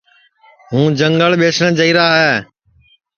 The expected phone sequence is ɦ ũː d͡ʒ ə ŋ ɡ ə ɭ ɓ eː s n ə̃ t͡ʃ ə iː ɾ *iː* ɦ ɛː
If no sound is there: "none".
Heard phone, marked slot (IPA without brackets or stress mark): aː